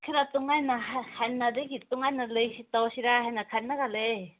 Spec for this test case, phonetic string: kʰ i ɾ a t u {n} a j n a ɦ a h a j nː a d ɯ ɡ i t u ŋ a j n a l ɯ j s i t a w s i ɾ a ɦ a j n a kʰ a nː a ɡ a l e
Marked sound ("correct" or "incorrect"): incorrect